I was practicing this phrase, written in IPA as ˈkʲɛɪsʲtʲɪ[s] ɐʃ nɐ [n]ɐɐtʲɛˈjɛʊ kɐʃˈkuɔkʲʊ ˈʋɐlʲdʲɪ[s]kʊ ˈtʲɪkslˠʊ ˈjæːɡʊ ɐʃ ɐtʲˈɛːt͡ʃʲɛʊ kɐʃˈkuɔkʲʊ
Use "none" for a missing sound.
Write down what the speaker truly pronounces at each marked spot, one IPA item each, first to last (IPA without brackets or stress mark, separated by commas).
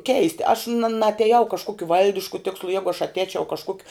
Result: none, n, ʃ